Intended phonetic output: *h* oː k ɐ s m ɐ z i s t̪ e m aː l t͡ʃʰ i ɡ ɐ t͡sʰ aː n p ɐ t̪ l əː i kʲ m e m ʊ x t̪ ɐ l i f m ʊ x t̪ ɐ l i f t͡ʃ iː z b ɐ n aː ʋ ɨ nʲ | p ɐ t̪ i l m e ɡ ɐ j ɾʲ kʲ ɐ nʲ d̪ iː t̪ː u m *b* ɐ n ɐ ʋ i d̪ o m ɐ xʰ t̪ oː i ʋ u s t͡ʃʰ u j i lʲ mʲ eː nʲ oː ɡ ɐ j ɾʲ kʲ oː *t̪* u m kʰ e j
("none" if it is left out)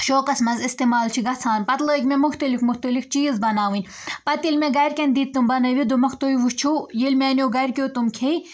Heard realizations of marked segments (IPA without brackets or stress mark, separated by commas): ʃ, b, t̪